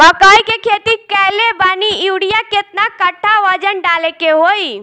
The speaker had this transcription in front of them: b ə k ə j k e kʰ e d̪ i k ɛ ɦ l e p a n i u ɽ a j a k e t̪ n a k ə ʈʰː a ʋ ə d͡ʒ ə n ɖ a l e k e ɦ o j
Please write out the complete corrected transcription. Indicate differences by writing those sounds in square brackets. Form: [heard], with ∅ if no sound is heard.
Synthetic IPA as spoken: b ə k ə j k e kʰ e [t̪] i k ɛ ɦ l e [b] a n i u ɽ [i] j a k e t̪ n a k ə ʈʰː a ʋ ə d͡ʒ ə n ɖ a l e k e ɦ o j